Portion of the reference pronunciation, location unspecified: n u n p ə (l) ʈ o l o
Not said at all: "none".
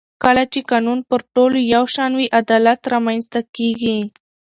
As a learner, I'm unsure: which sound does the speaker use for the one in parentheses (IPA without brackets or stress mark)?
ɾ